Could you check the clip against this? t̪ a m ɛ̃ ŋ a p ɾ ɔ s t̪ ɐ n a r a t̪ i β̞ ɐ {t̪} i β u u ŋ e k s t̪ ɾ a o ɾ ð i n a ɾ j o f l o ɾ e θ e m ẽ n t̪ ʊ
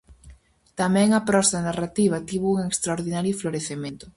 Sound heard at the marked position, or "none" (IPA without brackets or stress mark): t̪